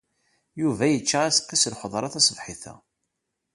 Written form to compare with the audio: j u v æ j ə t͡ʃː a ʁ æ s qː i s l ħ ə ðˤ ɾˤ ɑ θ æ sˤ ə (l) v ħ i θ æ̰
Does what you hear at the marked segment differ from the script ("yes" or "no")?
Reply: yes